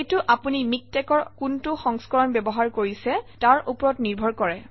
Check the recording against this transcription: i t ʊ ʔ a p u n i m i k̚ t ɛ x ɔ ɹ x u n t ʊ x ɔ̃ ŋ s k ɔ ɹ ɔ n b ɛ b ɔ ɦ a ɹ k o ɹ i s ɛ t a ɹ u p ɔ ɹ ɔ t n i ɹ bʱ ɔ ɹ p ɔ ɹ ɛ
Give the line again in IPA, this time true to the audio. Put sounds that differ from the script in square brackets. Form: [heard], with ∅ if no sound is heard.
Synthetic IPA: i t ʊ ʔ a p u n i m i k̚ t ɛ [k] ɔ ɹ [k] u n t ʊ x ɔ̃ ŋ s k ɔ ɹ ɔ n b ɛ b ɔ ɦ a ɹ k o ɹ i s ɛ t a ɹ u p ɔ ɹ ɔ t n i ɹ bʱ ɔ ɹ [k] ɔ ɹ ɛ